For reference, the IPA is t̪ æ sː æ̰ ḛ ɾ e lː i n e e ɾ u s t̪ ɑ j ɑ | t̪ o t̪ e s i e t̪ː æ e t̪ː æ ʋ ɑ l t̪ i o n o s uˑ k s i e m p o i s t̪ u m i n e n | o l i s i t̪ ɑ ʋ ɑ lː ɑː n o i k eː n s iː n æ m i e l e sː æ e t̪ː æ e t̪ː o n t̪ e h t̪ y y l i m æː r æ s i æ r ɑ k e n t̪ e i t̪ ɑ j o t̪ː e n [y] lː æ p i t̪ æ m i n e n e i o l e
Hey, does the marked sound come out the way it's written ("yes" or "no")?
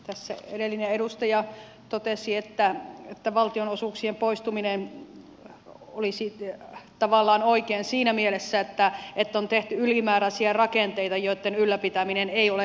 yes